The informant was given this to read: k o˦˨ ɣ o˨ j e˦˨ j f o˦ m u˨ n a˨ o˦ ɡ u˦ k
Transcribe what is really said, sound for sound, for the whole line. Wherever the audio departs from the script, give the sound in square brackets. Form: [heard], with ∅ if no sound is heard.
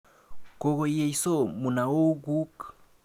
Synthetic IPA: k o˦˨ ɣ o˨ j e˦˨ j [s] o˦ m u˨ n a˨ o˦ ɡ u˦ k